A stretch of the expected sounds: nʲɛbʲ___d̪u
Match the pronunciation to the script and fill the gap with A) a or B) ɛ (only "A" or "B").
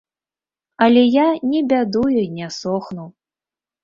A